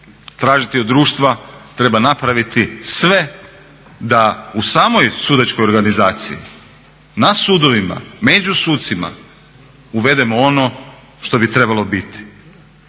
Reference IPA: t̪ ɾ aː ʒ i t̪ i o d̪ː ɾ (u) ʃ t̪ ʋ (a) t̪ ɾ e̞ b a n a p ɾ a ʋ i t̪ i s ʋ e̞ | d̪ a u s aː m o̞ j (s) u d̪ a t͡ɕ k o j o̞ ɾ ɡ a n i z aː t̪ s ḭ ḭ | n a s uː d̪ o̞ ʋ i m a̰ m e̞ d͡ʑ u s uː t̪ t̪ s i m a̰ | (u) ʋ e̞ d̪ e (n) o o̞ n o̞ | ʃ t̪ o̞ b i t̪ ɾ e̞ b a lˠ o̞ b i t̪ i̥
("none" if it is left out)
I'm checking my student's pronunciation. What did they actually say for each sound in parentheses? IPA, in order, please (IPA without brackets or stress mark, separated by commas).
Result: uː, a, s, u, m